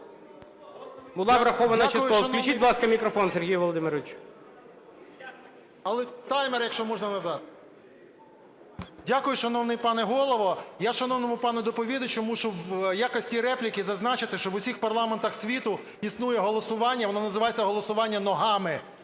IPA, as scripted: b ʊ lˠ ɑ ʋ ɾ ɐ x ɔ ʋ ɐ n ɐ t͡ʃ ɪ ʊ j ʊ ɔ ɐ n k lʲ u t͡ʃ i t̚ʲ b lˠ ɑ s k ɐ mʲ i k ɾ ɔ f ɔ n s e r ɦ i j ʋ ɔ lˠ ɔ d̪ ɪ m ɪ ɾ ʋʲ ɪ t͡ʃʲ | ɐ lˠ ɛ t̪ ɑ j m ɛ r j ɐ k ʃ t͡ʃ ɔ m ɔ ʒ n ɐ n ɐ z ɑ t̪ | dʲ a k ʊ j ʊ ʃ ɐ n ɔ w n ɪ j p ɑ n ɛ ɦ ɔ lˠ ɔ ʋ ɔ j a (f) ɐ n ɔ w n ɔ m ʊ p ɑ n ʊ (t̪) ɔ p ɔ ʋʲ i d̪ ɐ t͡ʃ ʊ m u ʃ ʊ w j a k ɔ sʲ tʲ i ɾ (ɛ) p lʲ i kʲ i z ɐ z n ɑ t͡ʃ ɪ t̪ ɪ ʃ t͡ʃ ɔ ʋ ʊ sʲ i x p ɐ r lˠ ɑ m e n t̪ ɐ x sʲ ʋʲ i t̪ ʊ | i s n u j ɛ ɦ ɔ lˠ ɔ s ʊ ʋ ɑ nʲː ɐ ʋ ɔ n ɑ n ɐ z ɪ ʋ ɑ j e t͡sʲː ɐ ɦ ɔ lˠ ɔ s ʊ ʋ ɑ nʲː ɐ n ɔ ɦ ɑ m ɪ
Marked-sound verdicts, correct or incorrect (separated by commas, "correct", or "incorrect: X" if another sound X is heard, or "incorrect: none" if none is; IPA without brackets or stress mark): incorrect: ʃ, incorrect: d̪, correct